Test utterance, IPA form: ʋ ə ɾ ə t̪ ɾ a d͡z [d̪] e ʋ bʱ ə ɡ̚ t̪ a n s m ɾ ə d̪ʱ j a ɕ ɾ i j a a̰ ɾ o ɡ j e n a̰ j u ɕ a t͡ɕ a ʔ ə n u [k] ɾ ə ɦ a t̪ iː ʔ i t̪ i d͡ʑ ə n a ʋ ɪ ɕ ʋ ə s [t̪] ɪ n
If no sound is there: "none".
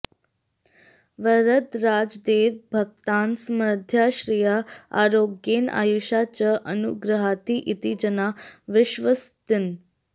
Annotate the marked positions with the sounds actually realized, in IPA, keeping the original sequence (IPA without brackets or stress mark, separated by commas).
d̪, ɡ, t̪